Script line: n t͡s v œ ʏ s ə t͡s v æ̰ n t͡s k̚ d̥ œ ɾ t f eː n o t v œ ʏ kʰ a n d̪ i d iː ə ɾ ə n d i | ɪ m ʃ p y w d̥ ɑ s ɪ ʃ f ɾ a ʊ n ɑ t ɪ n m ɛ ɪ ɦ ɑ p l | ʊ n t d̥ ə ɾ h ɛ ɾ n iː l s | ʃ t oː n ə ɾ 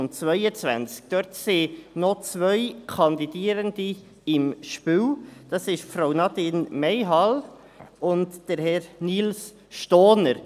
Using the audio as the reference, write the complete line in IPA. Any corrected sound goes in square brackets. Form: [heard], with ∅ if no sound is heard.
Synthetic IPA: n t͡s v œ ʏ [∅] ə t͡s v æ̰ n t͡s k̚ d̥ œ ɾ t [s] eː n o [t͡s] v œ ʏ kʰ [ɑ] n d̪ i d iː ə ɾ ə n d i | ɪ m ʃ p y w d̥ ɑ s ɪ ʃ f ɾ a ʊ n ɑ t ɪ n m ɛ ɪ ɦ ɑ [∅] l | ʊ n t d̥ ə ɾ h ɛ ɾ n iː l s | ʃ t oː n ə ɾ